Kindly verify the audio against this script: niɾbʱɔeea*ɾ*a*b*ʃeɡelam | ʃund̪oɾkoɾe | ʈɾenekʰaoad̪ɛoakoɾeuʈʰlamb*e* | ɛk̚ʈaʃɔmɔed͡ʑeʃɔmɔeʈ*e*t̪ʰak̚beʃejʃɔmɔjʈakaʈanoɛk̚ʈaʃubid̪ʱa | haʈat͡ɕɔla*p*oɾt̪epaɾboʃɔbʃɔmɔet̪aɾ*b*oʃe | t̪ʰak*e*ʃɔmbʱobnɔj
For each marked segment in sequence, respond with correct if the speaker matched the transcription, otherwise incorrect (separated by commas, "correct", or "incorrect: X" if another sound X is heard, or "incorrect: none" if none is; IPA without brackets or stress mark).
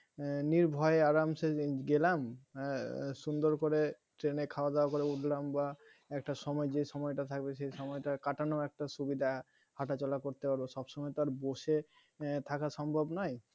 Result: correct, incorrect: m, incorrect: a, incorrect: a, incorrect: k, correct, incorrect: a